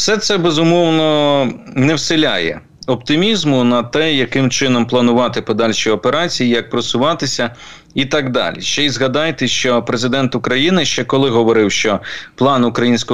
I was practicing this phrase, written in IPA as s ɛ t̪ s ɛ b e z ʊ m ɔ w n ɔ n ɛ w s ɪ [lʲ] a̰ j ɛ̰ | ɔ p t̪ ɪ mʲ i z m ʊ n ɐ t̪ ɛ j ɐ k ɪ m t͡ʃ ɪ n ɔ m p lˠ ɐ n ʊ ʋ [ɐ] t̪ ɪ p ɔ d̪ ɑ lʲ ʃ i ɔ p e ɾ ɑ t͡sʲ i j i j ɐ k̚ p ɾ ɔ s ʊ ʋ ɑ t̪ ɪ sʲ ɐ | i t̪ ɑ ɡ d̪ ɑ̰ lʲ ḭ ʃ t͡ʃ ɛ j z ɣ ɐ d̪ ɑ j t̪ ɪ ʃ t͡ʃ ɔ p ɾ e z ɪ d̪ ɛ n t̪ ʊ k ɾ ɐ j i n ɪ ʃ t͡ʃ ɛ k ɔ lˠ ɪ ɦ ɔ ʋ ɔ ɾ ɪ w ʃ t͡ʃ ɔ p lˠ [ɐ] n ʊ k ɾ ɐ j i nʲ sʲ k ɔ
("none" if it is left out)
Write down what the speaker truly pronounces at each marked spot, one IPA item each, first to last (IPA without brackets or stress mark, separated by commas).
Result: lʲ, ɑ, ɑ